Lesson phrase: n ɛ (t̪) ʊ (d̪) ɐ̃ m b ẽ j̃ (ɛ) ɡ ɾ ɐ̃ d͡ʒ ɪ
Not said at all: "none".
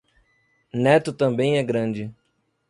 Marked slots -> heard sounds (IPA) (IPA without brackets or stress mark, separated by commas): t̪, t̪, ɛ